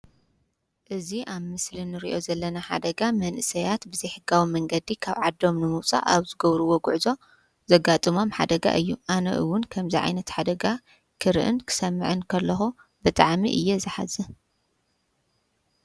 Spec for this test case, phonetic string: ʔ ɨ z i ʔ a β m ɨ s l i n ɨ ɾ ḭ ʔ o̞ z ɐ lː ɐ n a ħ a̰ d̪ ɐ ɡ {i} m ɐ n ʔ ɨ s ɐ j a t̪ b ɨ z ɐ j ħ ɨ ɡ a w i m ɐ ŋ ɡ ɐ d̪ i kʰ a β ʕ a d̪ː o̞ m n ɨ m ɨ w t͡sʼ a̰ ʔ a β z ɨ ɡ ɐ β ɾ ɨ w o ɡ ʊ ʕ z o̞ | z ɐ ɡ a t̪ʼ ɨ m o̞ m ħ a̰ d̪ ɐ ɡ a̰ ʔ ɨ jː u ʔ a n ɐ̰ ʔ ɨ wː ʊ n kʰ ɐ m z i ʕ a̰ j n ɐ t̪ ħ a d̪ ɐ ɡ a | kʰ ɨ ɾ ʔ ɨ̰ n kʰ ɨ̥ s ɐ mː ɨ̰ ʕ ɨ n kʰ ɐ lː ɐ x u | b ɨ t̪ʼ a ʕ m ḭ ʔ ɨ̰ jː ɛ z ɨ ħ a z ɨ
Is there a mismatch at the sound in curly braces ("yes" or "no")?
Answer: yes